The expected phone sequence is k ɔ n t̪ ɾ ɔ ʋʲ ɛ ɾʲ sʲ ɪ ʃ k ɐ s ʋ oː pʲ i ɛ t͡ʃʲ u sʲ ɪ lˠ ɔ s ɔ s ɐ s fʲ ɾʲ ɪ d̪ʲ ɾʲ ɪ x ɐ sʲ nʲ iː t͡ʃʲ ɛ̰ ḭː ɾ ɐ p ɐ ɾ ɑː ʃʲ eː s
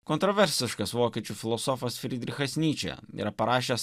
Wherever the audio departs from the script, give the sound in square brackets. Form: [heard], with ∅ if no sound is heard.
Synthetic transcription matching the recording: k ɔ n t̪ ɾ ɔ ʋʲ ɛ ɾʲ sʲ ɪ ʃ k ɐ s ʋ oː [kʲ] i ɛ t͡ʃʲ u [fʲ] ɪ lˠ ɔ s ɔ [f] ɐ s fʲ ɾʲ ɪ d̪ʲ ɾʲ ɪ x ɐ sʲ nʲ iː t͡ʃʲ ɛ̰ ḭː ɾ ɐ p ɐ ɾ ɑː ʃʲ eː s